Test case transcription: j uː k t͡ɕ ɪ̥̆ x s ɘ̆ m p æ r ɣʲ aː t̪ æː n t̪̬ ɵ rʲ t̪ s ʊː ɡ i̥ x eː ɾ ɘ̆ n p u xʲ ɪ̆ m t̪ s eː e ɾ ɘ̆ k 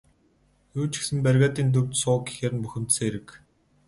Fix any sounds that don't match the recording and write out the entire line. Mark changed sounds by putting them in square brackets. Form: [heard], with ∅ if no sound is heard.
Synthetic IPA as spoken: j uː [∅] t͡ɕ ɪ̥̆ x s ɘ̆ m p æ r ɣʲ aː t̪ [iː] n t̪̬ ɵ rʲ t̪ s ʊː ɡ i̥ x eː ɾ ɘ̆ n p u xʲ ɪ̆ m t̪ s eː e ɾ ɘ̆ k